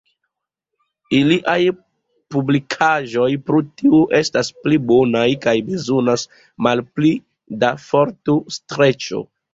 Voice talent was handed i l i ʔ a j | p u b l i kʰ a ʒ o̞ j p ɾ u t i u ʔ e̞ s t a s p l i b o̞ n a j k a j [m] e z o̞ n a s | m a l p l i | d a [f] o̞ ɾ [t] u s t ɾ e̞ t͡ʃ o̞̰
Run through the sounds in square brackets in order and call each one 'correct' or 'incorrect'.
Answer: incorrect: b, correct, correct

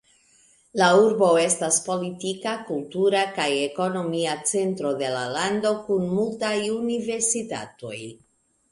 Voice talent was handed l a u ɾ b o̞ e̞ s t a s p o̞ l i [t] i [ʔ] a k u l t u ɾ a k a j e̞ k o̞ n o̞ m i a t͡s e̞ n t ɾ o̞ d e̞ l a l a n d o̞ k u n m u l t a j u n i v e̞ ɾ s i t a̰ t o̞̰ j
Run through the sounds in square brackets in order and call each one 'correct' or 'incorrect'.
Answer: correct, incorrect: k

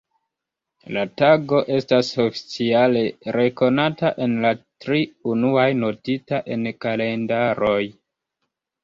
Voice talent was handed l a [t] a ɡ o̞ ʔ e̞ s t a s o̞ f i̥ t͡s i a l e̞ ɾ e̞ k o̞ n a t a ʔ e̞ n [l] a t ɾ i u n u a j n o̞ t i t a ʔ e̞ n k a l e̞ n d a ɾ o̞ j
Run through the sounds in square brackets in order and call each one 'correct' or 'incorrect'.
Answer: correct, correct

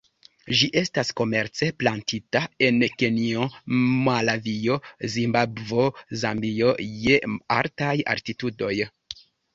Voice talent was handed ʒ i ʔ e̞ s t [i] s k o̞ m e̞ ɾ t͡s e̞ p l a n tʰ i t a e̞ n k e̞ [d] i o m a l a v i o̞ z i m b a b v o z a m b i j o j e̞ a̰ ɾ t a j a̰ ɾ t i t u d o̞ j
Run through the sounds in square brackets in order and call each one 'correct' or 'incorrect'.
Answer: incorrect: a, incorrect: n

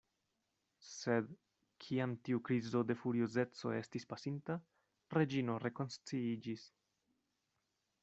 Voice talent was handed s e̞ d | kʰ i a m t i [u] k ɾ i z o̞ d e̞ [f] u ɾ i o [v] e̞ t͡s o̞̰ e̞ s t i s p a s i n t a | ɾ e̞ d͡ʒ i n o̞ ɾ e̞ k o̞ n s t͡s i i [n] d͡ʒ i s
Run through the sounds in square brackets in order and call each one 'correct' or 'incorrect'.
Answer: correct, correct, incorrect: z, incorrect: none

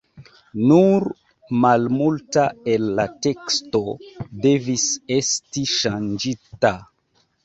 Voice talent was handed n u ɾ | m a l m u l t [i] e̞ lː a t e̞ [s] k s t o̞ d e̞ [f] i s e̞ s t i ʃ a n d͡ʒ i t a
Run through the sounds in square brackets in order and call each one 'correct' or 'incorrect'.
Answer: incorrect: a, incorrect: none, incorrect: v

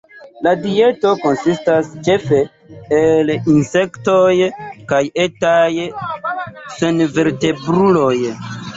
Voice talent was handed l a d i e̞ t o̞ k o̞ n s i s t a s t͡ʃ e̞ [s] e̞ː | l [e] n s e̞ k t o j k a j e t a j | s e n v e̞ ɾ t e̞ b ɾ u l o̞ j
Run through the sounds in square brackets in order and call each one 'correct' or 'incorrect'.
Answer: incorrect: f, incorrect: i

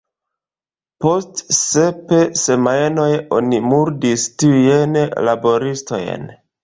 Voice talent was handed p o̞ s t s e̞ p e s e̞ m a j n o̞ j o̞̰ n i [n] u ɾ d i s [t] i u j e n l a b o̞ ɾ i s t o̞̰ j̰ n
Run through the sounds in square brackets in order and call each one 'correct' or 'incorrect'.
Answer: incorrect: m, correct

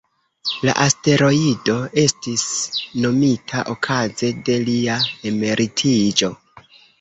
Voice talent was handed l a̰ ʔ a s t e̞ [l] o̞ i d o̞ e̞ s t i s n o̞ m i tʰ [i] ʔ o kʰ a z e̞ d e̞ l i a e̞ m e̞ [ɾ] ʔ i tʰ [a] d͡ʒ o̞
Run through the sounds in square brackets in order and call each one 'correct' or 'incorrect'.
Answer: incorrect: ɾ, incorrect: a, correct, incorrect: i

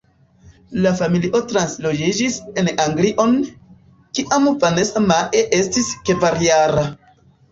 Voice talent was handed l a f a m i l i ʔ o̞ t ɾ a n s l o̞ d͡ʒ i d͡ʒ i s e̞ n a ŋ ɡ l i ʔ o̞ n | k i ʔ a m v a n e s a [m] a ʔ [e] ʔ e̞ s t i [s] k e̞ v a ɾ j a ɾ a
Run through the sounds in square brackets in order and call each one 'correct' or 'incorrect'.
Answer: correct, correct, correct

